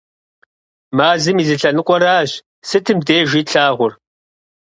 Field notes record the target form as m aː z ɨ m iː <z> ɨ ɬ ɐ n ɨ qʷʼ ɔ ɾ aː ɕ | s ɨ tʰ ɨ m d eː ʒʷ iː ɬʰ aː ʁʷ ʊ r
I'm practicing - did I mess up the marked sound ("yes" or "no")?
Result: no